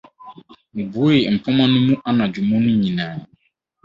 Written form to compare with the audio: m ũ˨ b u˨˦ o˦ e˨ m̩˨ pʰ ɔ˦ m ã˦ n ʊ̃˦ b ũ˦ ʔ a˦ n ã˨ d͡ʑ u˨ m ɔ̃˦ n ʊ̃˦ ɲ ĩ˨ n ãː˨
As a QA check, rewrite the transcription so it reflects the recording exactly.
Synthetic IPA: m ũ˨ b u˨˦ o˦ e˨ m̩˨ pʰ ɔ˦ m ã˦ n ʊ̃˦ m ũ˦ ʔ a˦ n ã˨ d͡ʑ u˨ m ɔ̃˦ n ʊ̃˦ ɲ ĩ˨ n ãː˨